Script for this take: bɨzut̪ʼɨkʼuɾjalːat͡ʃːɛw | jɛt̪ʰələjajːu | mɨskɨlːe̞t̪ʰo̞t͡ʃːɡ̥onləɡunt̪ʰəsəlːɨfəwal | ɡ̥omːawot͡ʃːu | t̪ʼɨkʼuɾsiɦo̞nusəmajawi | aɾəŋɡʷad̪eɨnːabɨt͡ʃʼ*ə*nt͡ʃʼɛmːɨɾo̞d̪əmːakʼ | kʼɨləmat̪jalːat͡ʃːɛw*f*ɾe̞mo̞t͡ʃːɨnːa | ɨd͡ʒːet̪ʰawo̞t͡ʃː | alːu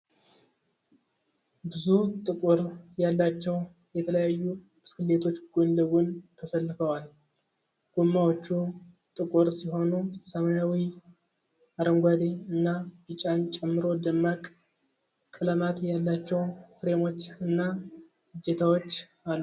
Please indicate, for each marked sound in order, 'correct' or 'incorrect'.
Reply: incorrect, correct

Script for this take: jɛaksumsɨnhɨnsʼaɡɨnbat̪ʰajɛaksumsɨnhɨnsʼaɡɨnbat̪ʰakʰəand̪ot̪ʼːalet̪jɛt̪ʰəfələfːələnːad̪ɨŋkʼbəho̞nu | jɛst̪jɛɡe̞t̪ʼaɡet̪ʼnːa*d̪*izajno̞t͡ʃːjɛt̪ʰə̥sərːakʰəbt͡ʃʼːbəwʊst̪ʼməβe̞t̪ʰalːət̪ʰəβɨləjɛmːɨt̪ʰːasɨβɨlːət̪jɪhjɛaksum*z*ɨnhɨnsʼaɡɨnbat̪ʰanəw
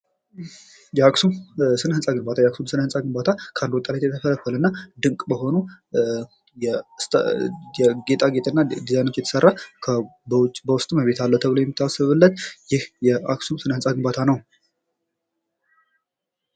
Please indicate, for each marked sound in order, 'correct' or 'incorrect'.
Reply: correct, incorrect

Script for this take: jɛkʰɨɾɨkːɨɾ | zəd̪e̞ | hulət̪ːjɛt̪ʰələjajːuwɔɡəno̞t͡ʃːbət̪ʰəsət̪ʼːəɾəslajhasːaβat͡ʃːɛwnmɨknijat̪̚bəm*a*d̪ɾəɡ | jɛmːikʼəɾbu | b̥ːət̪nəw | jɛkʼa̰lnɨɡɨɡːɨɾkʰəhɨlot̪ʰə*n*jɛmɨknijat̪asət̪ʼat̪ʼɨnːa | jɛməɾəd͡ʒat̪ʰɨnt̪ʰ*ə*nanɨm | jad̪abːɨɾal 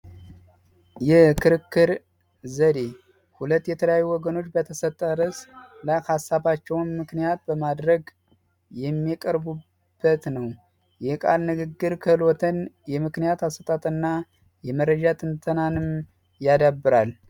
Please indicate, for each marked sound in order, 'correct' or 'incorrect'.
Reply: correct, correct, correct

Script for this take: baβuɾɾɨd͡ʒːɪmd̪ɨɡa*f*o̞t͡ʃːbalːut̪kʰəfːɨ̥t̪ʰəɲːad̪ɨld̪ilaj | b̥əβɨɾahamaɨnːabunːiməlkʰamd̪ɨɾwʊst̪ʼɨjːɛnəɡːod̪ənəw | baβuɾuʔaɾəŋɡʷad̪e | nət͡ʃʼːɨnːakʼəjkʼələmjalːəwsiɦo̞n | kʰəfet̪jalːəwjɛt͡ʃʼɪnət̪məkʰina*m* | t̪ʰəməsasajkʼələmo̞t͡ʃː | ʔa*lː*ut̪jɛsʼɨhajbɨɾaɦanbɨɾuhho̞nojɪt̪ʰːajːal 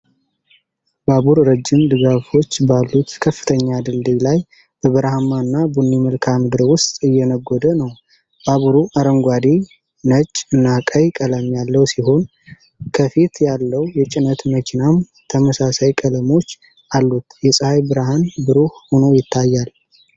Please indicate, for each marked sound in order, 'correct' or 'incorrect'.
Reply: correct, correct, correct

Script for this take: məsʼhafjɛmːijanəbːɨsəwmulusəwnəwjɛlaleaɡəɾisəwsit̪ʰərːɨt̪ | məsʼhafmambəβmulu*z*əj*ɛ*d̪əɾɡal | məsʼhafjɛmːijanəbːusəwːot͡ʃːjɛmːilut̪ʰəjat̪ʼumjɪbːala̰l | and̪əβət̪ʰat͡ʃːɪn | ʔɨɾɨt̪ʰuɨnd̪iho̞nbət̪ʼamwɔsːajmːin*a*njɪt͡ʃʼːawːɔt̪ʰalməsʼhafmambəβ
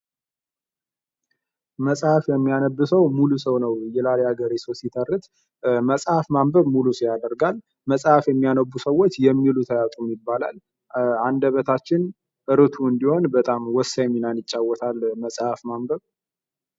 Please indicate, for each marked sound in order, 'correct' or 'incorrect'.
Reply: incorrect, incorrect, correct

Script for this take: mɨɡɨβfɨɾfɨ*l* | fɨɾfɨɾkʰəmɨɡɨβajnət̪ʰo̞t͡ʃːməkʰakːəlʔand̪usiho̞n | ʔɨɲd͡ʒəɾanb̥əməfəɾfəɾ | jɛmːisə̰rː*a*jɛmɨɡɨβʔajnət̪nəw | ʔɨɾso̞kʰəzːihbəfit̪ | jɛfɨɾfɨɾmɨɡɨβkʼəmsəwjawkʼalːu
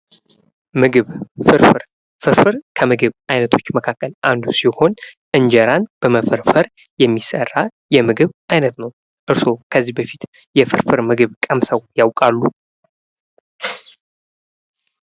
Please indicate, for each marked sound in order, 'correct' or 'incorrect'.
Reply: incorrect, correct

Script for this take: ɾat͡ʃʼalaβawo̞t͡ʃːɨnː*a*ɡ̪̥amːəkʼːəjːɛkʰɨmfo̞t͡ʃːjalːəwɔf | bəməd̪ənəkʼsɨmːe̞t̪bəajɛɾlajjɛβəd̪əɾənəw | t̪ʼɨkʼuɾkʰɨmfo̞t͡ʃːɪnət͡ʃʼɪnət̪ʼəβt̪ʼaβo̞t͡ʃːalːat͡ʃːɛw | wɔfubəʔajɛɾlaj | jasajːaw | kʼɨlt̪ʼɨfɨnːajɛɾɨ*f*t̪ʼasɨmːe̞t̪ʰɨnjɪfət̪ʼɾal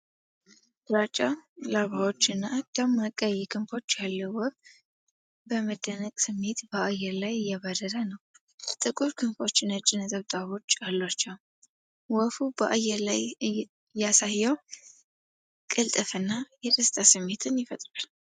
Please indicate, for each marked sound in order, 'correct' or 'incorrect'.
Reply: correct, incorrect

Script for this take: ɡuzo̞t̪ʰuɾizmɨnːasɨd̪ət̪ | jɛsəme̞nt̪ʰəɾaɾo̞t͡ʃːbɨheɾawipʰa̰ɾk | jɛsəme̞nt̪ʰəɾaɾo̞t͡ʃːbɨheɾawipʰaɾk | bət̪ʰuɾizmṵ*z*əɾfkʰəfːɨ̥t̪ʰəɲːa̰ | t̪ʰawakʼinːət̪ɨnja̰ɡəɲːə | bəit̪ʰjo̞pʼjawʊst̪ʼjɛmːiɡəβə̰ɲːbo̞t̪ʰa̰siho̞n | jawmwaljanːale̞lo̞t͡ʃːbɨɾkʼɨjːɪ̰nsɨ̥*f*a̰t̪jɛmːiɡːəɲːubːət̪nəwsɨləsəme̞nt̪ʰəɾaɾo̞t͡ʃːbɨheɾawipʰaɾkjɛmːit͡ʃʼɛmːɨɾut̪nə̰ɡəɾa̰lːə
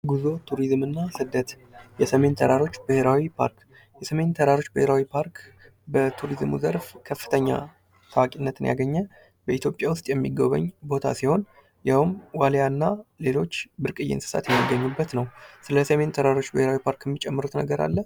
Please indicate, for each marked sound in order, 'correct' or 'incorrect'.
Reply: correct, incorrect

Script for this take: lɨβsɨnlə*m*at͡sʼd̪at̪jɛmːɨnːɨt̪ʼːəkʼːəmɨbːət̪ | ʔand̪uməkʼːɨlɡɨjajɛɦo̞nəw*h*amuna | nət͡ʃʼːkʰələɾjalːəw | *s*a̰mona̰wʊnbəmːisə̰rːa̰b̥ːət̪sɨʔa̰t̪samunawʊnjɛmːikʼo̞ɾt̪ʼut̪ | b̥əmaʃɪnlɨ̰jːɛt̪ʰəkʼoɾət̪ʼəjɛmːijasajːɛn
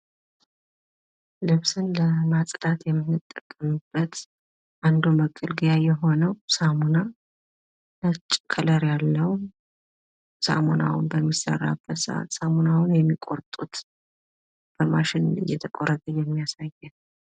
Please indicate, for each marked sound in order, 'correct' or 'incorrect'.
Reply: correct, incorrect, correct

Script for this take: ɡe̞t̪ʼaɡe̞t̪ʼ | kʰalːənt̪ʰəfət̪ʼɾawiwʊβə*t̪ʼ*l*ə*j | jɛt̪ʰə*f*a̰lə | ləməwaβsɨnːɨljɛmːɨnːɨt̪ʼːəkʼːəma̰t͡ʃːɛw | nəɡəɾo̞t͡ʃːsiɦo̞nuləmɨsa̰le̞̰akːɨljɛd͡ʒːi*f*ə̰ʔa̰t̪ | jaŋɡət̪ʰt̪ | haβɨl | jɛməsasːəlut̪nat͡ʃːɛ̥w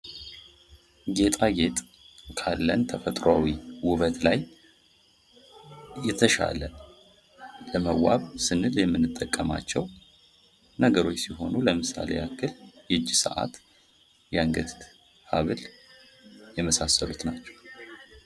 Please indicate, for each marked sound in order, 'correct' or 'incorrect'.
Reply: incorrect, incorrect, incorrect, incorrect

